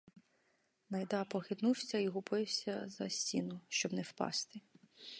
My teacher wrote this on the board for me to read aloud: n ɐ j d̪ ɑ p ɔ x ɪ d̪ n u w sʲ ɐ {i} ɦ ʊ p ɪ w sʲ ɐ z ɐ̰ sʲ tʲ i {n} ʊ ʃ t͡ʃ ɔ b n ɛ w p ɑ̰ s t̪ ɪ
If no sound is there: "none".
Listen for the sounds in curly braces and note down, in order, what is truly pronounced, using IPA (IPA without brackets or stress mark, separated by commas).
i, n